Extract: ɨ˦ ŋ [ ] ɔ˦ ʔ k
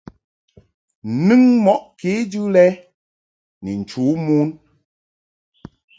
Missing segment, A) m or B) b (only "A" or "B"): A